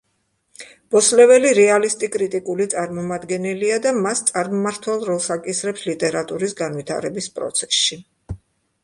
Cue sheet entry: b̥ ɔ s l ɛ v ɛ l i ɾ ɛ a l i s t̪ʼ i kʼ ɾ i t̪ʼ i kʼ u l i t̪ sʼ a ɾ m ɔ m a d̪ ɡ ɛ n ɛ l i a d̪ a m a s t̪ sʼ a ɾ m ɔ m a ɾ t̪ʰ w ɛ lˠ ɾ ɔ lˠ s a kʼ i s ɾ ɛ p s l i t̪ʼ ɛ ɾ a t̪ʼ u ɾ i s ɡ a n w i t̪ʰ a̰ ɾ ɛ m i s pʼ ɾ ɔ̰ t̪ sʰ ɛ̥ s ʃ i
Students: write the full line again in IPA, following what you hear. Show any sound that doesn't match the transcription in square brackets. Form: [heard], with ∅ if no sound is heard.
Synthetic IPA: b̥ ɔ s l ɛ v ɛ l i ɾ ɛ a l i s t̪ʼ i kʼ ɾ i t̪ʼ i kʼ u l i t̪ sʼ a ɾ m ɔ m a d̪ ɡ ɛ n ɛ l i a d̪ a m a s t̪ sʼ a ɾ m ɔ m a ɾ t̪ʰ w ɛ lˠ ɾ ɔ lˠ s a kʼ i s ɾ ɛ p s l i t̪ʼ ɛ ɾ a t̪ʼ u ɾ i s ɡ a n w i t̪ʰ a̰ ɾ ɛ [b] i s pʼ ɾ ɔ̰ t̪ sʰ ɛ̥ s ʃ i

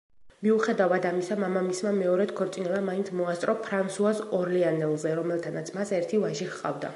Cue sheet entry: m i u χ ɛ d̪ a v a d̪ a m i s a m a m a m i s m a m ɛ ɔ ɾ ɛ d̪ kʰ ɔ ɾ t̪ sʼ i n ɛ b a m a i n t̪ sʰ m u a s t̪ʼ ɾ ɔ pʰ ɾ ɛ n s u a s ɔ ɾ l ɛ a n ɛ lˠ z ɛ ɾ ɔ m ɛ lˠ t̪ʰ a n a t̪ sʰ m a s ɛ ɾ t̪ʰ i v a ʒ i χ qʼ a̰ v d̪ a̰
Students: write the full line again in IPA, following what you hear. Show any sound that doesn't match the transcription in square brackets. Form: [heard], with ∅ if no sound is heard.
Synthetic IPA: m i u χ ɛ d̪ a v a d̪ a m i s a m a m a m i s m a m ɛ ɔ ɾ ɛ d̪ kʰ ɔ ɾ t̪ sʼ i n ɛ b a m a i n t̪ sʰ m [ɔ] a s t̪ʼ ɾ ɔ pʰ ɾ [a] n s u a s ɔ ɾ l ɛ a n ɛ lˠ z ɛ ɾ ɔ m ɛ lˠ t̪ʰ a n a t̪ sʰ m a s ɛ ɾ t̪ʰ i v a ʒ i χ qʼ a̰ v d̪ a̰

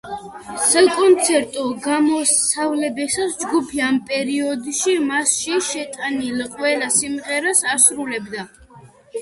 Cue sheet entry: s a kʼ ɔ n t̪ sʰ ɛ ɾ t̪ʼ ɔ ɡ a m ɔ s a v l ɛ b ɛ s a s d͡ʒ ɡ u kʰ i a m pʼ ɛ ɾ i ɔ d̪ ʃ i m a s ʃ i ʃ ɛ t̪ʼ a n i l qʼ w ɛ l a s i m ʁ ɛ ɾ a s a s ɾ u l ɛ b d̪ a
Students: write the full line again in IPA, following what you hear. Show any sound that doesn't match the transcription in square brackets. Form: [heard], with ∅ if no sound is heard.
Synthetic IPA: s a kʼ ɔ n t̪ sʰ ɛ ɾ t̪ʼ ɔ ɡ a m ɔ s a v l ɛ b ɛ s a s d͡ʒ ɡ u [pʰ] i a m pʼ ɛ ɾ i ɔ d̪ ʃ i m a s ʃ i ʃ ɛ t̪ʼ a n i l qʼ w ɛ l a s i m ʁ ɛ ɾ a s a s ɾ u l ɛ b d̪ a

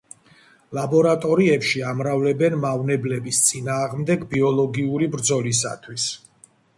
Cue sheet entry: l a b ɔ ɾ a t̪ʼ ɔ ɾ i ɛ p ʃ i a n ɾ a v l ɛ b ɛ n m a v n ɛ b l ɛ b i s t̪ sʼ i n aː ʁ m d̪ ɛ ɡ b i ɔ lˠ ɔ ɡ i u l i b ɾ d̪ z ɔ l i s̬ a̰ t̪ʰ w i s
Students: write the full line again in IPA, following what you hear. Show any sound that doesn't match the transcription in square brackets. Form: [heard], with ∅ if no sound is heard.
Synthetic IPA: l a b ɔ ɾ a t̪ʼ ɔ ɾ i ɛ p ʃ i a [m] ɾ a v l ɛ b ɛ n m a v n ɛ b l ɛ b i s t̪ sʼ i n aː ʁ m d̪ ɛ ɡ b i ɔ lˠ ɔ ɡ i u [ɾ] i b ɾ d̪ z ɔ l i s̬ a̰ t̪ʰ w i s

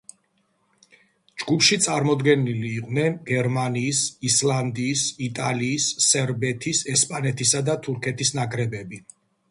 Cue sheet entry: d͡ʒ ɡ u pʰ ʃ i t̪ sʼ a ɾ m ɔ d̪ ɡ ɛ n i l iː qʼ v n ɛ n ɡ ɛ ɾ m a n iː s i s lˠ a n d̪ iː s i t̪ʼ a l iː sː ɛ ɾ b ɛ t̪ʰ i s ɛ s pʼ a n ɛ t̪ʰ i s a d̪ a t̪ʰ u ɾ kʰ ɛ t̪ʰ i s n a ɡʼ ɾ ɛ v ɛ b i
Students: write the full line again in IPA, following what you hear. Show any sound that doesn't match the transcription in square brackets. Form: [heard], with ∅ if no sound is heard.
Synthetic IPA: d͡ʒ ɡ u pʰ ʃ i t̪ sʼ a ɾ m ɔ d̪ ɡ ɛ n i l iː qʼ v n ɛ n ɡ ɛ ɾ m a n iː s i s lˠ a n d̪ iː s i t̪ʼ a l iː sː ɛ ɾ b ɛ t̪ʰ i s ɛ s pʼ a n ɛ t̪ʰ i s a d̪ a t̪ʰ u ɾ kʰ ɛ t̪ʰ i s n a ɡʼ ɾ ɛ [b] ɛ b i

